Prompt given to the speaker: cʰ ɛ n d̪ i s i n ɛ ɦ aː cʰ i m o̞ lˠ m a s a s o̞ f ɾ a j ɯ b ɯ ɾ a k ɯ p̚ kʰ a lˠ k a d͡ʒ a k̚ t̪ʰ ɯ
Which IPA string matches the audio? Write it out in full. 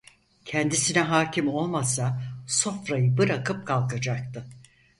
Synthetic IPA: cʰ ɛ n d̪ i s i n ɛ ɦ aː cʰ i m o̞ lˠ m a s a s o̞ f ɾ a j ɯ b ɯ ɾ a k ɯ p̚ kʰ a lˠ k a d͡ʒ a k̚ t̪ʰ ɯ